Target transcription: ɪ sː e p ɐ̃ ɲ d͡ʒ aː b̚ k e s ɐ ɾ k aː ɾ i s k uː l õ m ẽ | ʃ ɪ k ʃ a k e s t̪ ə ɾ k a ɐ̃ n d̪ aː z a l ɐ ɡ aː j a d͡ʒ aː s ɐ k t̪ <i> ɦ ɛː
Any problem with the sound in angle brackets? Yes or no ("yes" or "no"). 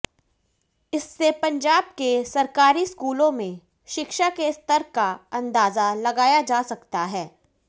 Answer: yes